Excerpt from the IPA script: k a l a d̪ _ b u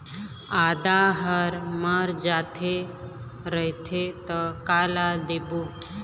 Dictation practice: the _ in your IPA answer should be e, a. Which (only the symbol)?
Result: e